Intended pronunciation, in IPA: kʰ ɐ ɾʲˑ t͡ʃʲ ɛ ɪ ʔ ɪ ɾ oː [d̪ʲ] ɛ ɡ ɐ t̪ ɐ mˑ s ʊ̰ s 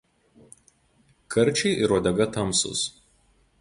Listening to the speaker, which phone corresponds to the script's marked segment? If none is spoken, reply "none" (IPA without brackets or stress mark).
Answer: d̪ʲ